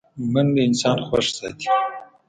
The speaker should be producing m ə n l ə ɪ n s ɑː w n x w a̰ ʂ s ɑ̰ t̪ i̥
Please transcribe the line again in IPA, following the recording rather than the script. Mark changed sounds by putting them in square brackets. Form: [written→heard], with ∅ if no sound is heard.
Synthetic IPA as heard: m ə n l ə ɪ n s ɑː [w→∅] n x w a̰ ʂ s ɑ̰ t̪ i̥